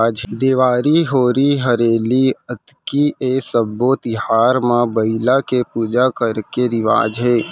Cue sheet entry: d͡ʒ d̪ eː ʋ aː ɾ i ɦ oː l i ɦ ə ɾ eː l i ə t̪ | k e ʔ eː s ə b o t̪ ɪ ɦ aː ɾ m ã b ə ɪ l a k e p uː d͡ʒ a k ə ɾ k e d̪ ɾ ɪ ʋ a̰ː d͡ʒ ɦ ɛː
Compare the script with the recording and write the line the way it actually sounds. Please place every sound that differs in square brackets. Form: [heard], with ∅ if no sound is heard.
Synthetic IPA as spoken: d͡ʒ d̪ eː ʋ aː ɾ i ɦ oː [ɾ] i ɦ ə ɾ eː l i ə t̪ | k [i] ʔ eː s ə b o t̪ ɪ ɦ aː ɾ m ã b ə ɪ l a k e p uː d͡ʒ a k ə ɾ k e [∅] ɾ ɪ ʋ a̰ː d͡ʒ ɦ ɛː